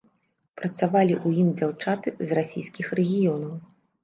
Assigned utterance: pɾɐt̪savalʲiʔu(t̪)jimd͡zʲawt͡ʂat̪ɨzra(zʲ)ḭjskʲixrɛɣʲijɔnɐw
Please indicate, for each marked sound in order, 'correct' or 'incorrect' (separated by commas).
incorrect, incorrect